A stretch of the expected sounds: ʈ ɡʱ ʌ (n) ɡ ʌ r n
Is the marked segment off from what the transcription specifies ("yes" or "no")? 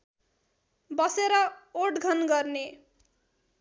no